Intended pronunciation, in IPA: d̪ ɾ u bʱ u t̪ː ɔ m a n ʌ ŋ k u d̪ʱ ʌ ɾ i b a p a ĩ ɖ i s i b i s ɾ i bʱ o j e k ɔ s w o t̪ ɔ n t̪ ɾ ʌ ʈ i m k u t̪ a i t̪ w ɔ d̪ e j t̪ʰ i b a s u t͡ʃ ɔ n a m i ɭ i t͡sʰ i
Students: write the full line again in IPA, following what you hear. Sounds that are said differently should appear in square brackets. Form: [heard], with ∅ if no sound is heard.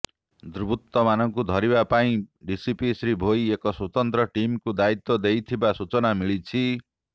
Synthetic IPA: d̪ ɾ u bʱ u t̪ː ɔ m a n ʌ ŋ k u d̪ʱ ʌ ɾ i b a p a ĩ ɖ i s i [p] i s ɾ i bʱ o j e k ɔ s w o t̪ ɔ n t̪ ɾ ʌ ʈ i m k u [d̪] a i t̪ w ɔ d̪ e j t̪ʰ i b a s u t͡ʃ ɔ n a m i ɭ i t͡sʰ i